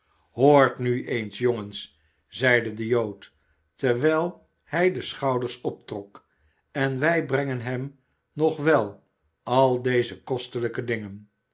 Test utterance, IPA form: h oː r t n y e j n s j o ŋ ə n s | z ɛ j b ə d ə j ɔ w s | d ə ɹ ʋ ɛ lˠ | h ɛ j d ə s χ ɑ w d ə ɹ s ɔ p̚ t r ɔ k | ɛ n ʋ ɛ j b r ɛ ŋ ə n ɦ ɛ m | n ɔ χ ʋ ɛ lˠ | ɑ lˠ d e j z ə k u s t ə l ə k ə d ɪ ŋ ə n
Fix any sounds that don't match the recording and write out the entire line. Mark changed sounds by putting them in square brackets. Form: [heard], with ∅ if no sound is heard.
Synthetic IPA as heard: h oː [ɹ] t n y e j n s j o ŋ ə n s | z ɛ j [d] ə d ə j [o] w [t] | [t] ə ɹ ʋ ɛ lˠ | h ɛ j d ə s χ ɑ w d ə ɹ s ɔ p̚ t r ɔ k | ɛ n ʋ ɛ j b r ɛ ŋ ə n ɦ ɛ m | n ɔ χ ʋ ɛ lˠ | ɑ lˠ d e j z ə k [ɔ] s t ə l ə k ə d ɪ ŋ ə n